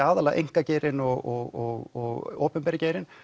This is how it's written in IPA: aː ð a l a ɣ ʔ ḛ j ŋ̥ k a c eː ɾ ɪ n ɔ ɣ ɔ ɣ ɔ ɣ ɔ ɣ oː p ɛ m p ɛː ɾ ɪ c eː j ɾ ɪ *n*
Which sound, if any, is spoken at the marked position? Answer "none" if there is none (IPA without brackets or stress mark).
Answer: n